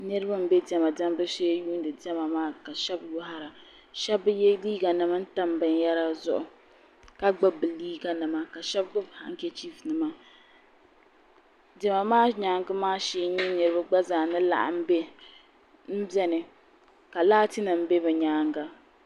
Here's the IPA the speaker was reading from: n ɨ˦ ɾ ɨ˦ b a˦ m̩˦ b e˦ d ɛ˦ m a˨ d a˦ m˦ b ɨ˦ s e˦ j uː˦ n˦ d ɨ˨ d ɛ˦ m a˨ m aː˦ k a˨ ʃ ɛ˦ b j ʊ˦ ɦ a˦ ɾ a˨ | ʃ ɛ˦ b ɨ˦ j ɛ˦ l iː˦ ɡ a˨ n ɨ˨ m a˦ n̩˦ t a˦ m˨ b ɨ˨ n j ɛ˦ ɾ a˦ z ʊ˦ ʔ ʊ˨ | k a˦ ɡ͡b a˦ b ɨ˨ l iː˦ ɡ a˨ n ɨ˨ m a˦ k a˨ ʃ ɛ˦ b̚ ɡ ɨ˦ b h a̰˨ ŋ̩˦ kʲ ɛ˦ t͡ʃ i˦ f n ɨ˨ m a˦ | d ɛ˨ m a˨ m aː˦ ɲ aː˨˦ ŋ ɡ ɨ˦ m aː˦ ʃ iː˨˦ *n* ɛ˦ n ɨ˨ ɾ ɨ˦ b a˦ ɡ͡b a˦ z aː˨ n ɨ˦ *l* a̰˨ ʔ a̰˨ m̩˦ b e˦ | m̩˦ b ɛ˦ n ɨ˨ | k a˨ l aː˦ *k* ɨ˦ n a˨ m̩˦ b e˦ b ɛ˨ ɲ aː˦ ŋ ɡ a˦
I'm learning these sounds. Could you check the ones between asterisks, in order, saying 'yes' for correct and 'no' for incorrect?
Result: no, yes, no

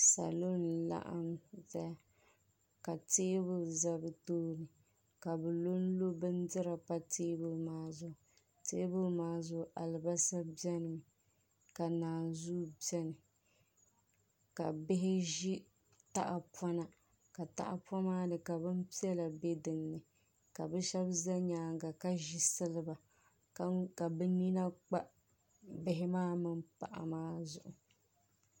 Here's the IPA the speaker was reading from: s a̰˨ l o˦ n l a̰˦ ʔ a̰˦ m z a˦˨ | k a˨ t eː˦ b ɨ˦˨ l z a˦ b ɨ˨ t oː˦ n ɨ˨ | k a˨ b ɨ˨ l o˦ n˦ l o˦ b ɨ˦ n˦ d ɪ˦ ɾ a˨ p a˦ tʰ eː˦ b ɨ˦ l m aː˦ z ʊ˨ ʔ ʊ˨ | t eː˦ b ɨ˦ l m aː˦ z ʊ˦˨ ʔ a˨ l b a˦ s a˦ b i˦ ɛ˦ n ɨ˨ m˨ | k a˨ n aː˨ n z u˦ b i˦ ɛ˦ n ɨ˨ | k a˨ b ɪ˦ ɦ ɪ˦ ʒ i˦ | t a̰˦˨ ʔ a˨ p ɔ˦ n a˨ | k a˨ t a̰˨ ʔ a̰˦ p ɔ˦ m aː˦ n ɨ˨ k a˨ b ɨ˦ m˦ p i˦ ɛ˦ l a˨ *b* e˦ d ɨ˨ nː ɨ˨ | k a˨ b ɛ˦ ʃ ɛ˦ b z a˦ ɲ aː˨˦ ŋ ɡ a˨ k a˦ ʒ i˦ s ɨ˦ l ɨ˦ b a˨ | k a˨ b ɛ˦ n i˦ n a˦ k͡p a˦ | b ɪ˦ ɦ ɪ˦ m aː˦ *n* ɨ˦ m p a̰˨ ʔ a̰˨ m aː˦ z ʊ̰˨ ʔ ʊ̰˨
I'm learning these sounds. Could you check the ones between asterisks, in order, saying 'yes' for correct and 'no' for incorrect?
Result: yes, no

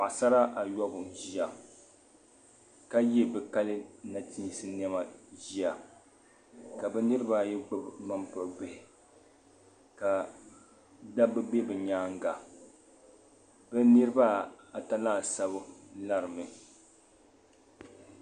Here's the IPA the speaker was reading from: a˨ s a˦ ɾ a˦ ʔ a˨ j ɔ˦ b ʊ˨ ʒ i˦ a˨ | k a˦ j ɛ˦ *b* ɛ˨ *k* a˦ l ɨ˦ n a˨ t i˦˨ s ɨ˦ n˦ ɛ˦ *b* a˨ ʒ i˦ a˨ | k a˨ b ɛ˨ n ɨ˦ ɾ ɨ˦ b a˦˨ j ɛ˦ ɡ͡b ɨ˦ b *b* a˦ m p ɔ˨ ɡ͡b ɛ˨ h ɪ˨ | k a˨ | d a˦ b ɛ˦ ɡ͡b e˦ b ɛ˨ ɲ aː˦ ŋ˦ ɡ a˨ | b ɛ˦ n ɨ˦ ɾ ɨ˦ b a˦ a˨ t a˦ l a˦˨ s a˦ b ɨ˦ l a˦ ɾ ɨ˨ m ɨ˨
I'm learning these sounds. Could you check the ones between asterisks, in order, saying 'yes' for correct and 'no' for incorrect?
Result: yes, yes, no, no

